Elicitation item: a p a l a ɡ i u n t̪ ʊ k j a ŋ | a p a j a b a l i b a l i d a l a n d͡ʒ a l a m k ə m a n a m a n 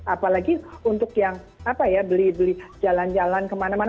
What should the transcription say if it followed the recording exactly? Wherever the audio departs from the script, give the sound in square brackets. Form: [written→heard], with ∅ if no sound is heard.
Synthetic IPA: a p a l a ɡ i u n t̪ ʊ k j a ŋ | a p a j a b [a→ə] l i b [a→ə] l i [d→d͡ʒ] a l a n d͡ʒ a l a [m→n] k ə m a n a m a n